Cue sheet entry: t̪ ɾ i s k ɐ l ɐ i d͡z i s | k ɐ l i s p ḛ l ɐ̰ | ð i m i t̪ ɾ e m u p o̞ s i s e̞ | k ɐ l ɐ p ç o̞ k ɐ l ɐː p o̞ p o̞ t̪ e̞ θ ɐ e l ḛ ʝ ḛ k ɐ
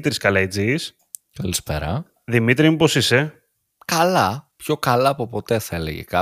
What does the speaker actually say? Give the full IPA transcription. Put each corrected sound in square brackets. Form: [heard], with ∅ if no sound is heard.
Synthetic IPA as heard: t̪ ɾ i s k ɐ l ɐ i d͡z i s | k ɐ l i s p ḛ [ɾ] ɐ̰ | ð i m i t̪ ɾ [i] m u p o̞ s i s e̞ | k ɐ l ɐ p ç o̞ k ɐ l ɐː p o̞ p o̞ t̪ e̞ θ ɐ e l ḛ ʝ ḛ k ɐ